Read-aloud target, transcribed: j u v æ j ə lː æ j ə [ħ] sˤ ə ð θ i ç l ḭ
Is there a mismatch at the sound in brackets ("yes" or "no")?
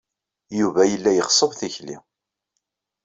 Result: yes